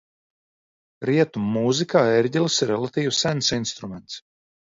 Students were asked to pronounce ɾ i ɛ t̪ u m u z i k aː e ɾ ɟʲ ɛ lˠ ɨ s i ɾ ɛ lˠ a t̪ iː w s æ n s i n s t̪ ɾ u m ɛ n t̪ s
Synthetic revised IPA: ɾ i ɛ t̪ u m u z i k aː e ɾ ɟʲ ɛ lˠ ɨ s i ɾ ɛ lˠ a t̪ iː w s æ n s i n s t̪ ɾ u m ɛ n t̪ s